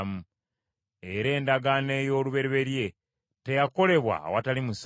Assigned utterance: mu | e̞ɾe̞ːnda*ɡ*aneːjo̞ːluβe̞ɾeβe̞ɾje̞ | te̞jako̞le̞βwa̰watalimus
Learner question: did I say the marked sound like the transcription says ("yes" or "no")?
yes